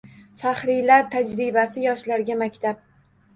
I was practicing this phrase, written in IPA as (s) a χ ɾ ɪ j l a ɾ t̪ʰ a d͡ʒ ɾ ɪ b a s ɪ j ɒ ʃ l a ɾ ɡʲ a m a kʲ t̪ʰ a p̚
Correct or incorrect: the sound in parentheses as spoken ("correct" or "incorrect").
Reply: incorrect